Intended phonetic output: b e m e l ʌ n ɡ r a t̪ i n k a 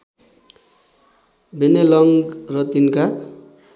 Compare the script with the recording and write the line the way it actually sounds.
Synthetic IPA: b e n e l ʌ ŋ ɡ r ʌ t̪ i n k a